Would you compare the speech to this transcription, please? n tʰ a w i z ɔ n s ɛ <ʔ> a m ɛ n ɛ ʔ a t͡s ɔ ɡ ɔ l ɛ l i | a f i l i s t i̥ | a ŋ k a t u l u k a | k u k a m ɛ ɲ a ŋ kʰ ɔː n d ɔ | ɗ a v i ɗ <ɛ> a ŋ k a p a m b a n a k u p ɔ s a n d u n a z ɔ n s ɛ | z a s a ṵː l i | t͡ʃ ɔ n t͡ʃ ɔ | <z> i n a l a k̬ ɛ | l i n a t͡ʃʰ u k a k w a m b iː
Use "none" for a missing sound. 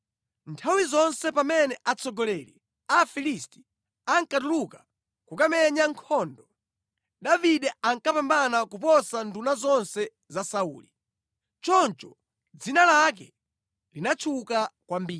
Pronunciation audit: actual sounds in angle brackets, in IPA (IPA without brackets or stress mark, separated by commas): p, ɛ, d͡z